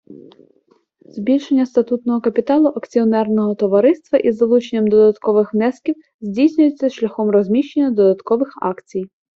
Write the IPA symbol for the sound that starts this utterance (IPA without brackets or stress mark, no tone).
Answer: z